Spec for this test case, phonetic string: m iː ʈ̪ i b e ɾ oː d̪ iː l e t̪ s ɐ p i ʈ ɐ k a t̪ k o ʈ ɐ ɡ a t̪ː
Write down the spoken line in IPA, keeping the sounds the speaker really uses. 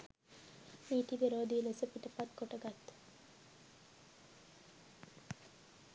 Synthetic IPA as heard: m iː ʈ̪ i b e ɾ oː d̪ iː l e s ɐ p i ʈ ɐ p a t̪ k o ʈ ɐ ɡ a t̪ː